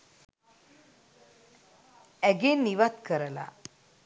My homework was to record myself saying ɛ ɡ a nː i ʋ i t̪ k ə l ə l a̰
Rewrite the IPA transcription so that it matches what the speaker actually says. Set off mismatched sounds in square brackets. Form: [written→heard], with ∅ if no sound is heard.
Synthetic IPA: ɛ ɡ [a→e] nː i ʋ [i→a] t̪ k ə [l→ɾ] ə l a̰